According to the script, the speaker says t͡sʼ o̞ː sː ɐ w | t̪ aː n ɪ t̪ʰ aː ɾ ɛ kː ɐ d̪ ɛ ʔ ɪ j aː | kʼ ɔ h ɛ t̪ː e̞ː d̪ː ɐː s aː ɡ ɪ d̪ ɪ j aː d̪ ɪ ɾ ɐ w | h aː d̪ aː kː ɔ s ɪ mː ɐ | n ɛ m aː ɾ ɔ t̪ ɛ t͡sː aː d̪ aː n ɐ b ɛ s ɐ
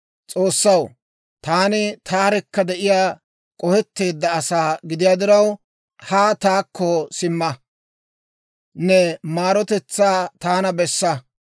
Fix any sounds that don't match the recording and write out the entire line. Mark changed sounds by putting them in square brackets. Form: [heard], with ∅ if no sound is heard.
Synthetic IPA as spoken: t͡sʼ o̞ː sː ɐ w | t̪ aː n ɪ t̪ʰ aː ɾ ɛ kː ɐ d̪ ɛ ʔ ɪ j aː | kʼ ɔ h ɛ t̪ː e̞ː d̪ː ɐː s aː ɡ ɪ d̪ ɪ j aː d̪ ɪ ɾ ɐ w | h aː [t̪] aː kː ɔ s ɪ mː ɐ | n ɛ m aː ɾ ɔ t̪ ɛ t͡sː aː [t̪] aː n ɐ b ɛ [sː] ɐ